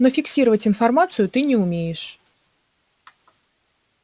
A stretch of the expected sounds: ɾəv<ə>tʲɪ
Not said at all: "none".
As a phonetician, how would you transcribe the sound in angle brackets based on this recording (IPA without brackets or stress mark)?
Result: ə